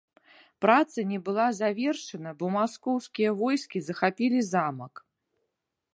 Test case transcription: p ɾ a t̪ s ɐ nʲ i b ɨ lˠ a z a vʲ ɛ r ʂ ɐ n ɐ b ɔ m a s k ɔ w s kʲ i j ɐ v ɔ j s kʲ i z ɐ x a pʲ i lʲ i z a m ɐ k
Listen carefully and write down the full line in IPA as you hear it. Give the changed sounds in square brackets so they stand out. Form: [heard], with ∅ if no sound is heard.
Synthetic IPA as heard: p ɾ a t̪ s ɐ nʲ [ɛ] b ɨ lˠ a z a vʲ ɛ r ʂ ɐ n ɐ b ɔ m a s k ɔ w s kʲ i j ɐ v ɔ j s kʲ i z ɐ x a pʲ i lʲ i z a m ɐ k

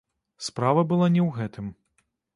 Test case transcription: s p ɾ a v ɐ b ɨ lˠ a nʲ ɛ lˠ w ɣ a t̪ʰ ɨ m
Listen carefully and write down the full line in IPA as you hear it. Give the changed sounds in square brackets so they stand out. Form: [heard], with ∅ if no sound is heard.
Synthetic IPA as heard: s p ɾ a v ɐ b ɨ lˠ a nʲ ɛ [∅] w ɣ [ɛ] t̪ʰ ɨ m

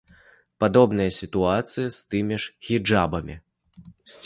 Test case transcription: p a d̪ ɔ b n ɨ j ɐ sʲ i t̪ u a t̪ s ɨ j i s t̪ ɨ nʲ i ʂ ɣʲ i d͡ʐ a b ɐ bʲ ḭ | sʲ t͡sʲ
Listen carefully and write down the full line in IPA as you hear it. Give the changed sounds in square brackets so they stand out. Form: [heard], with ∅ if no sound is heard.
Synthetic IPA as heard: p a d̪ ɔ b n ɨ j ɐ sʲ i t̪ u a t̪ s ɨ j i s t̪ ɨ [mʲ] i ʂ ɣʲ i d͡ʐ a b ɐ [mʲ] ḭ | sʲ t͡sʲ

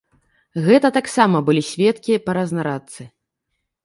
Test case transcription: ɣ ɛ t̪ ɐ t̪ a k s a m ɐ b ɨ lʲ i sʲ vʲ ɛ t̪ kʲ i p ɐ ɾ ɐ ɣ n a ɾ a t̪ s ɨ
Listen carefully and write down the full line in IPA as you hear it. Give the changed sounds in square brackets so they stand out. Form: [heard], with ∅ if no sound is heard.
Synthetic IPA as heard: ɣ ɛ t̪ ɐ t̪ a k s a m ɐ b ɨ lʲ i sʲ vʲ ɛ t̪ kʲ i p ɐ ɾ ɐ [z] n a ɾ a t̪ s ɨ

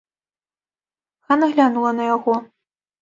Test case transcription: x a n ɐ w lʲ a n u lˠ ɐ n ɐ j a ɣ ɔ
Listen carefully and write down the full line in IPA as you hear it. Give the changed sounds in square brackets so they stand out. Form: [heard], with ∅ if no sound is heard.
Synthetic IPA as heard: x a n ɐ [ɣ] lʲ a n u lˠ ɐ n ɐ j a ɣ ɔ

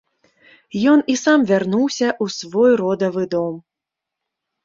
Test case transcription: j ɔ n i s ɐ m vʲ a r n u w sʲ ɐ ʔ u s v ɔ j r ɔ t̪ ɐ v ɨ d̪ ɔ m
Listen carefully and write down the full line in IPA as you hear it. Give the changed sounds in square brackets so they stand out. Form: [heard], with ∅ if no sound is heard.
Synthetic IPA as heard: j ɔ n i s [a] m vʲ a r n u w sʲ ɐ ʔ u s v ɔ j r ɔ [d̪] ɐ v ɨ d̪ ɔ m

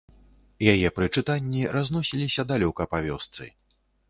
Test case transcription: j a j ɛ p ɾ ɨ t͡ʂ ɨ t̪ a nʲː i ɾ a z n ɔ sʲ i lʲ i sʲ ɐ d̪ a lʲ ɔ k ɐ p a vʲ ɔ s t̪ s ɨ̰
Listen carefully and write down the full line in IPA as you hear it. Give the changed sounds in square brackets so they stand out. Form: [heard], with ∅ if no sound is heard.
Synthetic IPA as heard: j a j ɛ p ɾ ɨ t͡ʂ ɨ t̪ a nʲː i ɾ a z n ɔ sʲ i lʲ i sʲ ɐ d̪ a lʲ ɔ k ɐ p a vʲ ɔ s t̪ s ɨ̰

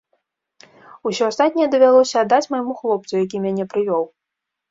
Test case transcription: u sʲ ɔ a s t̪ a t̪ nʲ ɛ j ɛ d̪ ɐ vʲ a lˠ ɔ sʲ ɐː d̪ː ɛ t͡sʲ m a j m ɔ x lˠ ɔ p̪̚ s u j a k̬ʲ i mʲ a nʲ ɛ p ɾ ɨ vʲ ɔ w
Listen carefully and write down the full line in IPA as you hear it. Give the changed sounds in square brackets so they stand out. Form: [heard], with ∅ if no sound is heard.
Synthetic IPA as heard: u sʲ ɔ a s t̪ a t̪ nʲ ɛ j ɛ d̪ ɐ vʲ a lˠ ɔ sʲ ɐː d̪ː [a] t͡sʲ m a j m [u] x lˠ ɔ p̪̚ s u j a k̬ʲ i mʲ a nʲ ɛ p ɾ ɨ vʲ ɔ w

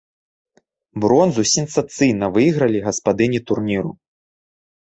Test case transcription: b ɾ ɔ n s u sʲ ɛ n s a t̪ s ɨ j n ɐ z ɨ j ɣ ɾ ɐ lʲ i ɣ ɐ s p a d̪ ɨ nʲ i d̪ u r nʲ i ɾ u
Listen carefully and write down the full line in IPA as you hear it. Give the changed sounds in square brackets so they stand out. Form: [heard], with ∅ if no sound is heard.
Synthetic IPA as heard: b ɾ ɔ n [z] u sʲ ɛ n s a t̪ s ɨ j n ɐ [v] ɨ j ɣ ɾ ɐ lʲ i ɣ ɐ s p a d̪ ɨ nʲ i [t̪] u r nʲ i ɾ u

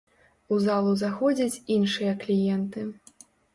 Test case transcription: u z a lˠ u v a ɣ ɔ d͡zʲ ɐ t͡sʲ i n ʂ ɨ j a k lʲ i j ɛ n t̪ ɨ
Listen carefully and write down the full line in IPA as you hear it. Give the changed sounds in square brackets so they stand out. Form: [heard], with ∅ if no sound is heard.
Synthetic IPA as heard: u z a lˠ u [z] a [x] ɔ d͡zʲ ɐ t͡sʲ i n ʂ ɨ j [ɐ] k lʲ i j ɛ n t̪ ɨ

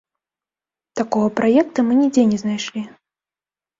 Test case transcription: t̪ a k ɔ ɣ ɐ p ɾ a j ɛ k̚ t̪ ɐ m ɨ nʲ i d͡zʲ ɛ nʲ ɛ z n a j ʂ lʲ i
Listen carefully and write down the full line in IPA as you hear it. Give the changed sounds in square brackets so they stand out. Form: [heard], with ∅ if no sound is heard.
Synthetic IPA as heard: t̪ a k ɔ ɣ ɐ p ɾ a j ɛ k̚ t̪ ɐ m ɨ nʲ i d͡zʲ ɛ nʲ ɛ z n a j ʂ lʲ i

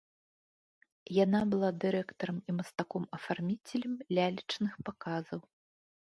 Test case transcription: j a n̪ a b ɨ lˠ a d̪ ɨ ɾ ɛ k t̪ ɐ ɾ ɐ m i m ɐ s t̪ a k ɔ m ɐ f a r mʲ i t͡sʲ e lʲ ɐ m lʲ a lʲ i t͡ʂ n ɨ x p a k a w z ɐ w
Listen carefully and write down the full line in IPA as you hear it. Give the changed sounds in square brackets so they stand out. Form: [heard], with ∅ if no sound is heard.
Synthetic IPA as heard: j a n̪ a b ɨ lˠ a d̪ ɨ ɾ ɛ k t̪ ɐ ɾ ɐ m i m ɐ s t̪ a k ɔ m ɐ f a r mʲ i t͡sʲ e lʲ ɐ m lʲ a lʲ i t͡ʂ n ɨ x p a k a [∅] z ɐ w

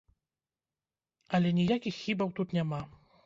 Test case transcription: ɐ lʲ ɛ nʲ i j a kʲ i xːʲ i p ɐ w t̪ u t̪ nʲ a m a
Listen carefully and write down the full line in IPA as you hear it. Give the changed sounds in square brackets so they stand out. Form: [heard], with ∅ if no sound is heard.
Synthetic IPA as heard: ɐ lʲ ɛ nʲ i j a kʲ i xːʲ i [b] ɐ w t̪ u t̪ nʲ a m a

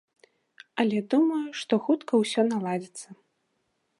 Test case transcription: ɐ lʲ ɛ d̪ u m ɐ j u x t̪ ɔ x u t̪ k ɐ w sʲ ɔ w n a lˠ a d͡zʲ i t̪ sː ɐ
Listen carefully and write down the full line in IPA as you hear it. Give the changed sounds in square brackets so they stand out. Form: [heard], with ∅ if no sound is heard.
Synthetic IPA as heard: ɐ lʲ ɛ d̪ u m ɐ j u [ʂ] t̪ ɔ x u t̪ k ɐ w sʲ ɔ [∅] n a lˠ a d͡zʲ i t̪ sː ɐ

